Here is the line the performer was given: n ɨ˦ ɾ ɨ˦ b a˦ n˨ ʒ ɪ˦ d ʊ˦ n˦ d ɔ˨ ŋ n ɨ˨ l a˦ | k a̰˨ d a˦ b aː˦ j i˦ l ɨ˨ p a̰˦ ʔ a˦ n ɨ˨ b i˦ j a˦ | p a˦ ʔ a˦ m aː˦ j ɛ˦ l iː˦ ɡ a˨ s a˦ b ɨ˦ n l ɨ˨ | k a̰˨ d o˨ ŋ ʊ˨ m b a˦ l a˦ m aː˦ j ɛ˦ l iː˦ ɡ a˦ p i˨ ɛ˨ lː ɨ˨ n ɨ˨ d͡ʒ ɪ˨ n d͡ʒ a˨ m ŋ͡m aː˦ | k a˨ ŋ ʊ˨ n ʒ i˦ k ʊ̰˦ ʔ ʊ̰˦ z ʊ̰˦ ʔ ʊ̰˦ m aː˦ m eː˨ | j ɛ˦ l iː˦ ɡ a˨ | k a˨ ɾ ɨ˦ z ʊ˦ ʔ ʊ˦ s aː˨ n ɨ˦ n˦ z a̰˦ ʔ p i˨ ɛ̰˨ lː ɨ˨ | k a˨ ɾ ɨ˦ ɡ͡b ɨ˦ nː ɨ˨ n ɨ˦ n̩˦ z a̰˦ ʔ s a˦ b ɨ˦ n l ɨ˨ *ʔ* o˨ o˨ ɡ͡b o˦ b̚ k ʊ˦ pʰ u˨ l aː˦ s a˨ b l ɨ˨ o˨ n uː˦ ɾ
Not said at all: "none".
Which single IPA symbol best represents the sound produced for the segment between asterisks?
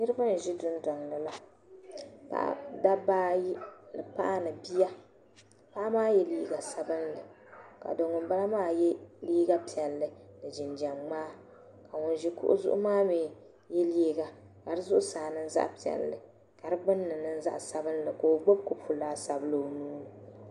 k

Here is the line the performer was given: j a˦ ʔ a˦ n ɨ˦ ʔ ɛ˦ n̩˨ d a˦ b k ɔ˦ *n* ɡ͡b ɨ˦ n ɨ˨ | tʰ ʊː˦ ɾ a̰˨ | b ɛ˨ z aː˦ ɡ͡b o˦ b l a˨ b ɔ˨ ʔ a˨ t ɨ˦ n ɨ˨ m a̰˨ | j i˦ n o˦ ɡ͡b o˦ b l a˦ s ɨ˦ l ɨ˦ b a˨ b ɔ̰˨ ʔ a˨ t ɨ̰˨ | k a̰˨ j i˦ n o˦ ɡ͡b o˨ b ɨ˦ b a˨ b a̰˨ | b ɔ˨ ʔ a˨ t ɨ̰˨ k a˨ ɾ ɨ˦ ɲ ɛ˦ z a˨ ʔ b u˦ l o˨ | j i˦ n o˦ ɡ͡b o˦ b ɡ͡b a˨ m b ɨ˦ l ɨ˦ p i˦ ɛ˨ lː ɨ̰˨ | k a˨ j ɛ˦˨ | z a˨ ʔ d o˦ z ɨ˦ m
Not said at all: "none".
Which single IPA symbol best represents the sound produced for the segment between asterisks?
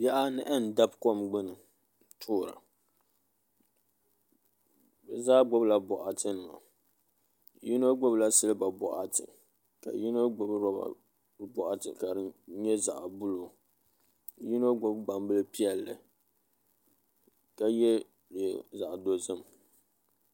m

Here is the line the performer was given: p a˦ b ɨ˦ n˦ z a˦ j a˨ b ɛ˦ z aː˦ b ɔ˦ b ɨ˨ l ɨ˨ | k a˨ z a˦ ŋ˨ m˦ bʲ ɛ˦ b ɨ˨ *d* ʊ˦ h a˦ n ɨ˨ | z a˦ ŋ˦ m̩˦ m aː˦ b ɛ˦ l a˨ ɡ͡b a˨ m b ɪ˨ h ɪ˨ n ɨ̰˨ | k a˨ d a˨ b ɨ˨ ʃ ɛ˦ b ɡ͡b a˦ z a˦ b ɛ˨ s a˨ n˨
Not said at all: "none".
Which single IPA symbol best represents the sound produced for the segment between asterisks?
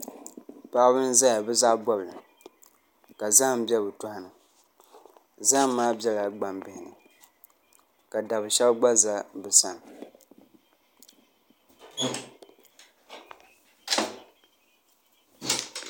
t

